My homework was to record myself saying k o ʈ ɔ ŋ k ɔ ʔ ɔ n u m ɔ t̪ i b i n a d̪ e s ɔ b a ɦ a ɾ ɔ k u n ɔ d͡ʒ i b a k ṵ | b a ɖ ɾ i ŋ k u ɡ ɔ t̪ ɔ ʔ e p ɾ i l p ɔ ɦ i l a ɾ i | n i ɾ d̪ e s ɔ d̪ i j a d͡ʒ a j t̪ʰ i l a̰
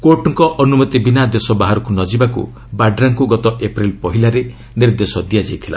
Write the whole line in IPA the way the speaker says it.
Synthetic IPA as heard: k o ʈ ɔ ŋ k ɔ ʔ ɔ n u m ɔ t̪ i b i n a d̪ e s ɔ b a ɦ a ɾ ɔ k u n ɔ d͡ʒ i b a k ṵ | b a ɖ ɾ a ŋ k u ɡ ɔ t̪ ɔ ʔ e p ɾ i l p ɔ ɦ i l a ɾ e | n i ɾ d̪ e s ɔ d̪ i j a d͡ʒ a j t̪ʰ i l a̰